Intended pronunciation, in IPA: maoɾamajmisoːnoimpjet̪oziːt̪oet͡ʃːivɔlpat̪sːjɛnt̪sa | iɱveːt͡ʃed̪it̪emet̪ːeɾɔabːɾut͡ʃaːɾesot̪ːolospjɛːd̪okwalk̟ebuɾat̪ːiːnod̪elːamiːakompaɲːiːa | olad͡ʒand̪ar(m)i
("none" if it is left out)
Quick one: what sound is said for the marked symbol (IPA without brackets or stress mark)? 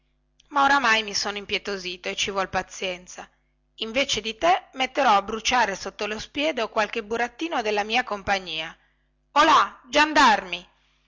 m